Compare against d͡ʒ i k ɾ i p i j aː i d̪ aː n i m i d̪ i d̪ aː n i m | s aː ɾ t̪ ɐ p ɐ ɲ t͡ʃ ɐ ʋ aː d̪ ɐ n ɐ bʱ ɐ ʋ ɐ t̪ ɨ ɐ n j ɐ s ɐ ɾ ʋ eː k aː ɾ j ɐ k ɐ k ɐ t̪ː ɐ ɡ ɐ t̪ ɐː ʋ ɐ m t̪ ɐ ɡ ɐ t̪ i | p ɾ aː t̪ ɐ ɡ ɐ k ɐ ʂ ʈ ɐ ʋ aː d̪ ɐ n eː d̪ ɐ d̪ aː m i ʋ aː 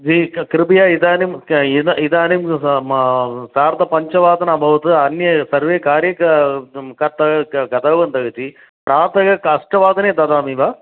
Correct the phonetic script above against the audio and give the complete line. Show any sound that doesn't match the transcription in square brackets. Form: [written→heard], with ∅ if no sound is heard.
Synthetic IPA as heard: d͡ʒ i k ɾ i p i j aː i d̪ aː n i m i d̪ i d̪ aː n i m | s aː ɾ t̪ ɐ p ɐ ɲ t͡ʃ ɐ ʋ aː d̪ ɐ n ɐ bʱ ɐ ʋ ɐ t̪ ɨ ɐ n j ɐ s ɐ ɾ ʋ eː k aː ɾ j ɐ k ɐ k ɐ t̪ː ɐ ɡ ɐ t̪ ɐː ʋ ɐ [m→n] t̪ ɐ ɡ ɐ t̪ i | p ɾ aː t̪ ɐ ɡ ɐ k ɐ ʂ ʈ ɐ ʋ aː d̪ ɐ n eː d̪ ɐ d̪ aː m i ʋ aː